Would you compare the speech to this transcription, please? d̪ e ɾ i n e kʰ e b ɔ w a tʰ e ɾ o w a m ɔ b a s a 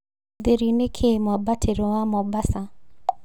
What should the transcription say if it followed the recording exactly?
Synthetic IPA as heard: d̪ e ɾ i n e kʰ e m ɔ b a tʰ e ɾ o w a m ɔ b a s a